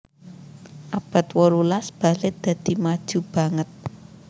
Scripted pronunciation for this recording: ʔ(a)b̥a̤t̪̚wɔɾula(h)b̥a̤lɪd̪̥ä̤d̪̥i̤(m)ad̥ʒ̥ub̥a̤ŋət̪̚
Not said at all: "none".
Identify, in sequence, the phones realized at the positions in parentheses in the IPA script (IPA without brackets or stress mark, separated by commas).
a, s, m